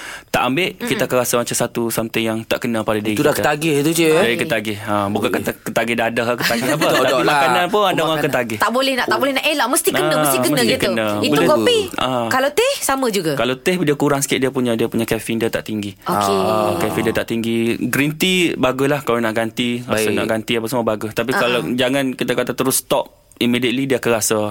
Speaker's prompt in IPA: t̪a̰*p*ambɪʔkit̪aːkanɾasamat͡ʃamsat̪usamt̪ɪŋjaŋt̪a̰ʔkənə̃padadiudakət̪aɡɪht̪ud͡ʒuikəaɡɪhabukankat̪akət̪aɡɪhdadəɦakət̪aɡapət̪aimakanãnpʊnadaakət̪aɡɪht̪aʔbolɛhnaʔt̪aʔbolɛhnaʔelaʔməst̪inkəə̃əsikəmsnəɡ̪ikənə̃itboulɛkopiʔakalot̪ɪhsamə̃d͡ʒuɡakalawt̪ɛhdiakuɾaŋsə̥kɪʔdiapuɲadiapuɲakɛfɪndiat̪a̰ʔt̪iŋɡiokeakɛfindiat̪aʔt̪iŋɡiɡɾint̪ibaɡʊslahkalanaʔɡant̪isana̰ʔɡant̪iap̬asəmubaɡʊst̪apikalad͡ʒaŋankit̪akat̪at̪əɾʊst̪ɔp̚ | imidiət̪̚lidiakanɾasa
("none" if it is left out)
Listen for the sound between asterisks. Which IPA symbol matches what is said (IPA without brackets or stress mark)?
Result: ʔ